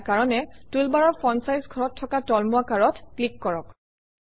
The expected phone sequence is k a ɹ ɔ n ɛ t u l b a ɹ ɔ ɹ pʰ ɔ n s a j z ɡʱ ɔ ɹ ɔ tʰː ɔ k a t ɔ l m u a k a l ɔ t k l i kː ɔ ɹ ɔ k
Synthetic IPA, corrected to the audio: k a ɹ ɔ n ɛ t u l b a ɹ ɔ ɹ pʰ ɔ n s a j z ɡʱ ɔ ɹ ɔ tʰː ɔ k a t ɔ l m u a k a ɹ ɔ t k l i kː ɔ ɹ ɔ k